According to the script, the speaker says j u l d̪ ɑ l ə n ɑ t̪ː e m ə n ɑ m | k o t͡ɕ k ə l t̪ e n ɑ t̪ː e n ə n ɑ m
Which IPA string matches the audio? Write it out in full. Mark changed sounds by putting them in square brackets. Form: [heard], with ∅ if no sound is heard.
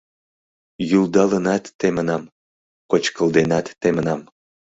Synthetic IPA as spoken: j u l d̪ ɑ l ə n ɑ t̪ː e m ə n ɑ m | k o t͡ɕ k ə l [d̪] e n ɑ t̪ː e [m] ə n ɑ m